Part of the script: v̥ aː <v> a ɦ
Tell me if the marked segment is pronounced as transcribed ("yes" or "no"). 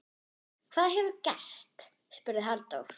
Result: no